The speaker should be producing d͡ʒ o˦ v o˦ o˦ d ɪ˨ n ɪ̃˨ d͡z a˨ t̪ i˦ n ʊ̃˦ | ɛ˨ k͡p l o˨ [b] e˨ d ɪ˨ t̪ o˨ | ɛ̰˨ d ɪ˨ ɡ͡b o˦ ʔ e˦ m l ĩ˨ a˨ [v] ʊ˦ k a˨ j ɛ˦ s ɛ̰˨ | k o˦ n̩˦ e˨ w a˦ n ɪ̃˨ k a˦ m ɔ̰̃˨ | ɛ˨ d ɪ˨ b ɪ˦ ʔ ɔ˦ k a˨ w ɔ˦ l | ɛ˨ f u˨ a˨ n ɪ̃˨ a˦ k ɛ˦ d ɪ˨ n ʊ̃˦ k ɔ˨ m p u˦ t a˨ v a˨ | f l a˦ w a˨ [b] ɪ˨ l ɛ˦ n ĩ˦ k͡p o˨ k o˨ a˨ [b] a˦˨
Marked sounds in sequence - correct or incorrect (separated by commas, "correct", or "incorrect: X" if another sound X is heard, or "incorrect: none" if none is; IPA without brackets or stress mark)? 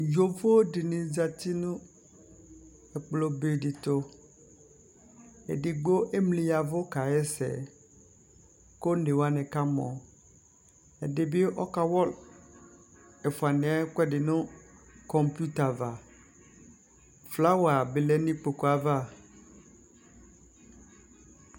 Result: correct, correct, correct, incorrect: v